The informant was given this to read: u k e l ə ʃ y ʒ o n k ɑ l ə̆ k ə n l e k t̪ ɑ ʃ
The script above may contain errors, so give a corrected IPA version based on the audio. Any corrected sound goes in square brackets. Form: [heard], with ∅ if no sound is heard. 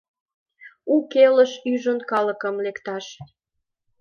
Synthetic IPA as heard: u k e l ə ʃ y ʒ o n k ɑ l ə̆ k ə [m] l e k t̪ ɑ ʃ